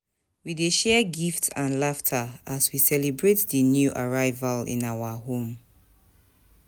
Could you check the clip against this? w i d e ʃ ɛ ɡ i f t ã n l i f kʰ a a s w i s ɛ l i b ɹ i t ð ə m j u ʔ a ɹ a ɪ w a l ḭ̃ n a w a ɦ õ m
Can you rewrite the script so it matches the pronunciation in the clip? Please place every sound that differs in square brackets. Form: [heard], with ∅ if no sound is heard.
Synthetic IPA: w i d e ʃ ɛ ɡ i f t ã n l [a] f [tʰ] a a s w i s ɛ l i b ɹ [e] t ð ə [n] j u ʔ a ɹ a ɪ [v] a l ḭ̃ n a w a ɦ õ m

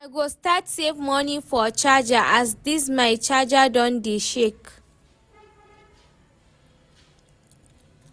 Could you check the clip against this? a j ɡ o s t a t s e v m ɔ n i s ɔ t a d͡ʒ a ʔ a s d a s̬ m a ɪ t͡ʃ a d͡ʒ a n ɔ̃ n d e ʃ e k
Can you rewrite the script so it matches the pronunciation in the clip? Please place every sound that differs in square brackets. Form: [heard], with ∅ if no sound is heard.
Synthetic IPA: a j ɡ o s t a t s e v m ɔ n i [f] ɔ [t͡ʃ] a d͡ʒ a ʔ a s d [i] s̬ m a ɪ t͡ʃ a d͡ʒ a [d] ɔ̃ n d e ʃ e k

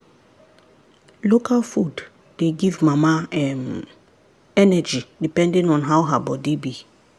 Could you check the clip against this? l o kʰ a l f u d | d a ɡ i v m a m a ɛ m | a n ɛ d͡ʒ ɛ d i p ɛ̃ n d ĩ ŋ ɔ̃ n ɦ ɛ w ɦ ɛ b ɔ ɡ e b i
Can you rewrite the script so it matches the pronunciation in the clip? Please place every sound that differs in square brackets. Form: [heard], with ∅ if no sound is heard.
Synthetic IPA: l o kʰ a l f u d | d [e] ɡ i v m a m a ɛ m | [ɛ] n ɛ d͡ʒ [i] d i p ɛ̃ n d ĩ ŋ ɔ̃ n ɦ [a] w ɦ [a] b ɔ [d] e b i

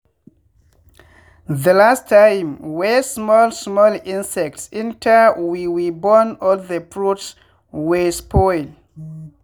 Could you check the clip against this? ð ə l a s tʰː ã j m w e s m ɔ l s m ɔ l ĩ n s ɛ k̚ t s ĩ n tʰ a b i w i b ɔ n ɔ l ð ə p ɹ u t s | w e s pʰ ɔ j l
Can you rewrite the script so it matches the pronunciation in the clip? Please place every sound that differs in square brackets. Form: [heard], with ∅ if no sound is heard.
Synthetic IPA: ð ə l a s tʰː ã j m w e s m ɔ l s m ɔ l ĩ n s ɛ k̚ t s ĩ n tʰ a [w] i w i b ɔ n ɔ l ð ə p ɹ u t s | w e s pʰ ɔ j l

